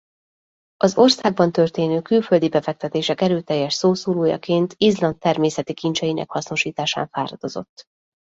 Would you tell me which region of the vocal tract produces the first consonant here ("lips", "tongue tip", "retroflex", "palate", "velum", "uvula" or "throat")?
tongue tip